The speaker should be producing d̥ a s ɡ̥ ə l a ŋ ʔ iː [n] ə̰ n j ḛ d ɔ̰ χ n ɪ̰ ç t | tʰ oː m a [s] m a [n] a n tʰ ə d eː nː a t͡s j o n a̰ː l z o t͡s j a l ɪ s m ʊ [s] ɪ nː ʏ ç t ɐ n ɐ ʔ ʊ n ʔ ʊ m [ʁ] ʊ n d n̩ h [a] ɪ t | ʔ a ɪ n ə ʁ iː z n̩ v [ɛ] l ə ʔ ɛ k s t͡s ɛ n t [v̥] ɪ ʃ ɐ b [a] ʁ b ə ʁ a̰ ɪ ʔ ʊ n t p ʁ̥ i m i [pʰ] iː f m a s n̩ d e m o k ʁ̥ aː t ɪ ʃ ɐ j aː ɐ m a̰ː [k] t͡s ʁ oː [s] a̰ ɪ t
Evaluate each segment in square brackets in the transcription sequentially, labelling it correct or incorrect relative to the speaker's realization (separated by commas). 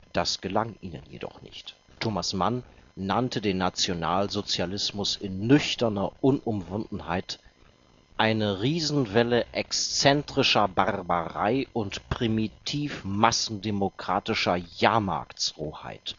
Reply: correct, correct, incorrect, correct, incorrect, correct, correct, incorrect, correct, incorrect, correct, incorrect